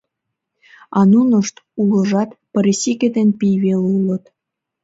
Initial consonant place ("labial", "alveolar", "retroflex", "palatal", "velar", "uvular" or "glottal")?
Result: alveolar